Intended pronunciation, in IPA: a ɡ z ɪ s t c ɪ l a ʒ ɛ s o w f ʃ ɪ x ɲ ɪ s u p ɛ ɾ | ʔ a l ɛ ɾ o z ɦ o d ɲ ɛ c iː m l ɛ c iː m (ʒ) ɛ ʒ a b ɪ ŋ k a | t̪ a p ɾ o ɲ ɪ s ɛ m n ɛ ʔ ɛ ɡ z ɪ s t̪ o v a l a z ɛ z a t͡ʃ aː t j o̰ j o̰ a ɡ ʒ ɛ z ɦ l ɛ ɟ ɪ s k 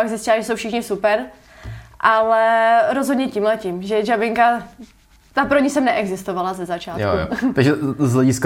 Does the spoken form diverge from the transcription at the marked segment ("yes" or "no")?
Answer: no